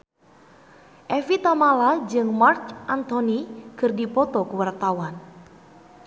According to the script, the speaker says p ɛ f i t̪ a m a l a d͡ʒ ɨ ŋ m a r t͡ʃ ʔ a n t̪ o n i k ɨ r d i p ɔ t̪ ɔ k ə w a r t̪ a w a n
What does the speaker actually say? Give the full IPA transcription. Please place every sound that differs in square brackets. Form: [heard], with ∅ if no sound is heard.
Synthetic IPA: [ʔ] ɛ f i t̪ a m a l a d͡ʒ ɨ ŋ m a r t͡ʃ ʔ a n t̪ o n i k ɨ r d i p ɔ t̪ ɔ k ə w a r t̪ a w a n

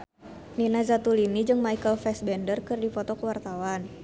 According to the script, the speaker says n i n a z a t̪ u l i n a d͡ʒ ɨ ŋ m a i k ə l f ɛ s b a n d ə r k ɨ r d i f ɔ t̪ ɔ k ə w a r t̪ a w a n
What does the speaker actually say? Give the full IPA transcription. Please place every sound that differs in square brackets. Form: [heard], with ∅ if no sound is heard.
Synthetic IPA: n i n a z a t̪ u l i n [i] d͡ʒ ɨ ŋ m a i k ə l f ɛ s b [ɛ] n d ə r k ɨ r d i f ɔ t̪ ɔ k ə w a r t̪ a w a n

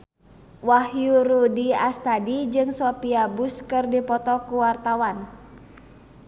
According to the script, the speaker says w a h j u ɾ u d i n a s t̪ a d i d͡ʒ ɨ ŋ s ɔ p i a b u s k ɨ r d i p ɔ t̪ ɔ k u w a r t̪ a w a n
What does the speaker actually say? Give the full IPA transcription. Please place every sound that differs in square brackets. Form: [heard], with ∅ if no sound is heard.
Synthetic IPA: w a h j u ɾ u d i [∅] a s t̪ a d i d͡ʒ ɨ ŋ s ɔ p i a b u s k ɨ r d i p ɔ t̪ ɔ k u w a r t̪ a w a n

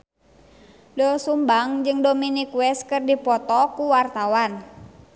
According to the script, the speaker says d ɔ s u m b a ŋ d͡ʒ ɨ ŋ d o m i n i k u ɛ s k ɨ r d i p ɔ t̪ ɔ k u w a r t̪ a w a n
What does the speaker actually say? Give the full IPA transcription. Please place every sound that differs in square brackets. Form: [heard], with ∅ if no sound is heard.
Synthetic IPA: d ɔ s u m b a ŋ d͡ʒ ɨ ŋ d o m i n i k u ɛ s k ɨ r d i p ɔ t̪ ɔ k u w a r t̪ a w a n

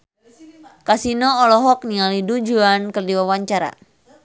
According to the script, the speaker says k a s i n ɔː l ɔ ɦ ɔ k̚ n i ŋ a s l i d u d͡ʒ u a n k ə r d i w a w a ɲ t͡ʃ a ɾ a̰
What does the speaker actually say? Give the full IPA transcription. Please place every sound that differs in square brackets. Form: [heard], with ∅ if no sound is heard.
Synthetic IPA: k a s i n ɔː l ɔ ɦ ɔ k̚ n i ŋ a [∅] l i d u d͡ʒ u a n k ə r d i w a w a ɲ t͡ʃ a ɾ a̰

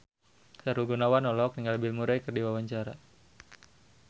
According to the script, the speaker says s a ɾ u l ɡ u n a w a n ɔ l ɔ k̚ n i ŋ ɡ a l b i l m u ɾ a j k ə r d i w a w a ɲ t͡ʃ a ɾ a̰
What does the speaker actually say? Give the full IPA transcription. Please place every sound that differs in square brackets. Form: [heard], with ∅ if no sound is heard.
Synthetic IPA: s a ɾ u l ɡ u n a w a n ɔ l ɔ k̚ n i ŋ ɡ a l b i l m u ɾ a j k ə r d i w a w a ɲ t͡ʃ a ɾ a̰

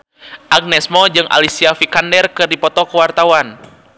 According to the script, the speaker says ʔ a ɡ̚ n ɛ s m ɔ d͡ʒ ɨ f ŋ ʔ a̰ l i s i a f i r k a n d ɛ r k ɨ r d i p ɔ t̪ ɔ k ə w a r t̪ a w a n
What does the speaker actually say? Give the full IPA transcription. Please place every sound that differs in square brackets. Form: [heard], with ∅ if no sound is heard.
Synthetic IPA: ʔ a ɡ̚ n ɛ s m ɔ d͡ʒ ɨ [∅] ŋ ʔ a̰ l i s i a f i [∅] k a n d ɛ r k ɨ r d i p ɔ t̪ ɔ k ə w a r t̪ a w a n

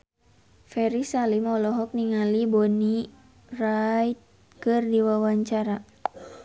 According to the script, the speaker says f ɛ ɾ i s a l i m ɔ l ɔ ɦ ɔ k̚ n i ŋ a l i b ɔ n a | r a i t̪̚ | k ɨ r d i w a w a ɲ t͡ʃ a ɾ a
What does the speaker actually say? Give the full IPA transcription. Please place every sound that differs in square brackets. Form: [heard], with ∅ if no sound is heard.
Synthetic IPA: f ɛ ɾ i s a l i m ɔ l ɔ ɦ ɔ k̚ n i ŋ a l i b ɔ n [i] | r a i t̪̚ | k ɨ r d i w a w a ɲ t͡ʃ a ɾ a

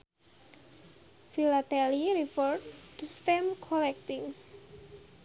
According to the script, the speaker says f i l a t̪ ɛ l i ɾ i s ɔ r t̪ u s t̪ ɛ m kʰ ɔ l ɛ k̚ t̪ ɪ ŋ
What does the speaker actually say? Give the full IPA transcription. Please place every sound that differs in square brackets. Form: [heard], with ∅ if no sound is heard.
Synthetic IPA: f i l a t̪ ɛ l i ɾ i [f] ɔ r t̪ u s t̪ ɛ m kʰ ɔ l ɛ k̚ t̪ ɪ ŋ

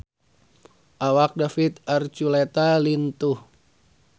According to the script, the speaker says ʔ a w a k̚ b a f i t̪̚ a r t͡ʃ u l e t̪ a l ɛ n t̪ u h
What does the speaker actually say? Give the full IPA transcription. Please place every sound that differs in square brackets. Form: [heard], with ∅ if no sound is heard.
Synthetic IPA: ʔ a w a k̚ [d] a f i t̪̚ a r t͡ʃ u l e t̪ a l [i] n t̪ u h

